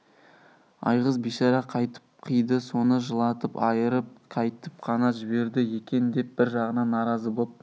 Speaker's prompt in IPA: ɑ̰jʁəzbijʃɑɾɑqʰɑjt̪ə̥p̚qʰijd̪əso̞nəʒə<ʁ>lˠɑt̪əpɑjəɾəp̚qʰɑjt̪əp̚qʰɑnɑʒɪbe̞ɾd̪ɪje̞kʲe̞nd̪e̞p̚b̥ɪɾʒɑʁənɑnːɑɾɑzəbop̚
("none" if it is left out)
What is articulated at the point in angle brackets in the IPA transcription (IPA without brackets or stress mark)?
none